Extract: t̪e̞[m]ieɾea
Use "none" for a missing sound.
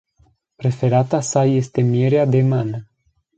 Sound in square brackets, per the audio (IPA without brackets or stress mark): m